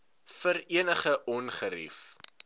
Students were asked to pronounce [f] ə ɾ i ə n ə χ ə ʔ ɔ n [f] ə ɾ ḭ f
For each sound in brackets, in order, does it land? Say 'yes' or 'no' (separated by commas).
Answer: yes, no